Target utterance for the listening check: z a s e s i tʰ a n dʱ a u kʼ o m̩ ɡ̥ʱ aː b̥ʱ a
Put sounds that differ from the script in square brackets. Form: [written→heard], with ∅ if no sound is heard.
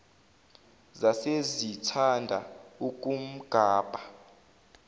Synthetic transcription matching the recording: z a s e [s→z] i tʰ a n dʱ a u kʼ [o→u] m̩ ɡ̥ʱ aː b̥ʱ a